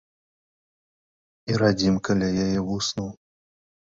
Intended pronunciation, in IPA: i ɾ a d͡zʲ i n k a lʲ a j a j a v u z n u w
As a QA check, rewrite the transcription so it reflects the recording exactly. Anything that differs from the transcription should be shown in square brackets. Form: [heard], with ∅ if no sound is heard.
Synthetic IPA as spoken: i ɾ a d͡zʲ i [m] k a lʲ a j a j [ɛ] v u [s] n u w